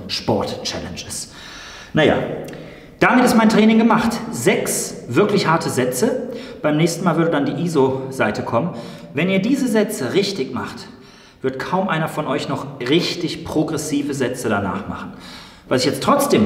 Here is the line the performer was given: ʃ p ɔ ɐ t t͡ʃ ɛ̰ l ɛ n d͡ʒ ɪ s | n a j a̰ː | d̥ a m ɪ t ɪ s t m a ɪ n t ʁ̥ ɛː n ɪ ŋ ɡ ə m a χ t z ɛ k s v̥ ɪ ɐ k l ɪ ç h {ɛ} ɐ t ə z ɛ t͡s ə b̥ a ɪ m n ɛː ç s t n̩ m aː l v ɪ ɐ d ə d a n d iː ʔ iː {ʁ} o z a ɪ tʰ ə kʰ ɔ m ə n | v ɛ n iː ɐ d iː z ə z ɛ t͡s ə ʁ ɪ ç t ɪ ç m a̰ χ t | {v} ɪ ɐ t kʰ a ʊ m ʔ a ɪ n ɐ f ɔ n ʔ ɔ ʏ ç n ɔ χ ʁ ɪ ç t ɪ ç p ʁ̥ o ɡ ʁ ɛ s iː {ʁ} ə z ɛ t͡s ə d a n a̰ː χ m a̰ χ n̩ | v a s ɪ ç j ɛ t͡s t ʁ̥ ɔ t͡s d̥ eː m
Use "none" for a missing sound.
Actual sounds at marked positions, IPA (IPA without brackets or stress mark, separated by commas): a, z, v, v